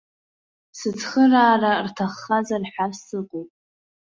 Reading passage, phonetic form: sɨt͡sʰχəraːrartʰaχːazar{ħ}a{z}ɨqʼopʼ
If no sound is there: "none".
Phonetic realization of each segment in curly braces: ħ, s

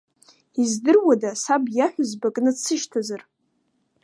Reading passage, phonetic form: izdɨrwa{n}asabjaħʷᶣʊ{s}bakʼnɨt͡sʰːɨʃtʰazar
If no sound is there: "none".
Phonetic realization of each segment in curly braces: d, z

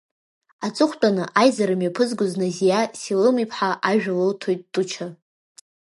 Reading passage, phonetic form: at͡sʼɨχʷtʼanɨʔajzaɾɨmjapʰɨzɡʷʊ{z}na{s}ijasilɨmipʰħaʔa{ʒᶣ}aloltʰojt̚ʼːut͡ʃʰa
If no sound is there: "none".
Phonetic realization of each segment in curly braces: z, z, ʒᶣ

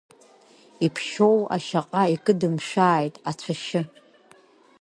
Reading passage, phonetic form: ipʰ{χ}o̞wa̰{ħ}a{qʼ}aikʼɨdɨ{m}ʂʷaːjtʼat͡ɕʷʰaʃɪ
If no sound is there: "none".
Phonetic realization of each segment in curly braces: ʃ, ʃ, qʼ, m

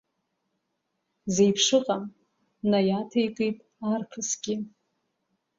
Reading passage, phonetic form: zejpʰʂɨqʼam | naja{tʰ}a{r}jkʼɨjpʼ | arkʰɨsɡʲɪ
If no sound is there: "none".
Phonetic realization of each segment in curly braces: tʰ, none

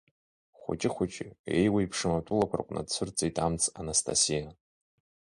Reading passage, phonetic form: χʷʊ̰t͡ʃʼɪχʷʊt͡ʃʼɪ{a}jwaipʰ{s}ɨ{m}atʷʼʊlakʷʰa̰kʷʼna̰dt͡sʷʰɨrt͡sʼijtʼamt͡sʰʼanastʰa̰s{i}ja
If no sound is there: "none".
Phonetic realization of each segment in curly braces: e, ʂ, m, i

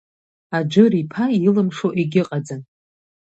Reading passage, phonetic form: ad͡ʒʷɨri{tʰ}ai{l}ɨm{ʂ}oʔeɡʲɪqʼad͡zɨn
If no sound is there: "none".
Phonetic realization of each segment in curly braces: pʰ, l, ʂ

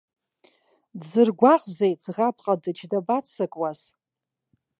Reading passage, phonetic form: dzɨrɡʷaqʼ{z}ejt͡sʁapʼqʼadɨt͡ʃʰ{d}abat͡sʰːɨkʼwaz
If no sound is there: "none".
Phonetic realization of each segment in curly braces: z, d

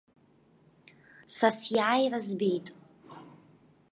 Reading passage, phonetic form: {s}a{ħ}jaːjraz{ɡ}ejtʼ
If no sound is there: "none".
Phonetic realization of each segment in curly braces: s, s, b

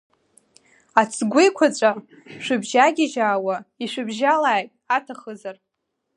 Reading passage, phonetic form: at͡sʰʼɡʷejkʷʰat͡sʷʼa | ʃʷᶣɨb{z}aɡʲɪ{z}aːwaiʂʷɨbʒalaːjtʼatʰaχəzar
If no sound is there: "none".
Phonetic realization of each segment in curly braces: ʒ, ʒ

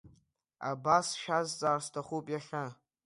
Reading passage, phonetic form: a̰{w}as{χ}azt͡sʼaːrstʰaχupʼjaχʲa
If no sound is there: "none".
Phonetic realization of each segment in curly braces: b, ʃ

